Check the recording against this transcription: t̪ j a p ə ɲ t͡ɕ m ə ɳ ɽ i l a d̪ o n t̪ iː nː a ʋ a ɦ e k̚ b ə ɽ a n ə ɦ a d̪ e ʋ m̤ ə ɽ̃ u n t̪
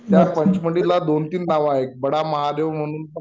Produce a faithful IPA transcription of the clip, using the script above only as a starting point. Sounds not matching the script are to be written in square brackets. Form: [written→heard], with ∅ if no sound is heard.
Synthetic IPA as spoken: t̪ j a p ə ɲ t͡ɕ m ə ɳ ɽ i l a d̪ o n t̪ iː nː a ʋ a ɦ e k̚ b ə ɽ a [n→m] ə ɦ a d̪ e ʋ m̤ ə ɽ̃ [u→uː] n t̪

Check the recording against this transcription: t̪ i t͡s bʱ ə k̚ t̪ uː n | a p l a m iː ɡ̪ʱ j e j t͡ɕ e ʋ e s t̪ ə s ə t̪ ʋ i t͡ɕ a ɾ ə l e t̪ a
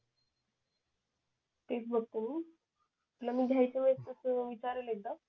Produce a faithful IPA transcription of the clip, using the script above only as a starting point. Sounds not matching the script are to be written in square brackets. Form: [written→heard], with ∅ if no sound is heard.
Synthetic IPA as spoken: t̪ [i→e] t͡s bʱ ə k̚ t̪ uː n | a p l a m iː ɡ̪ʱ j [e→a] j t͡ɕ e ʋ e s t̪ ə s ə [t̪→∅] ʋ i t͡ɕ a ɾ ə l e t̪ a

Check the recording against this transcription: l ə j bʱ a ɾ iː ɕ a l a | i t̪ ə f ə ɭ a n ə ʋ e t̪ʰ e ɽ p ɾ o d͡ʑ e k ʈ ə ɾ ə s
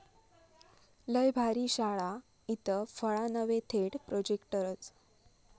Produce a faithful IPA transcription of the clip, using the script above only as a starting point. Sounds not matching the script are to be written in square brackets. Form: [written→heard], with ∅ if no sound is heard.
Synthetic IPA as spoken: l ə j bʱ a ɾ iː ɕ a [l→ɭ] a | i t̪ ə f ə ɭ a n ə ʋ e t̪ʰ e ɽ p ɾ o d͡ʑ e k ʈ ə ɾ ə [s→t͡s]

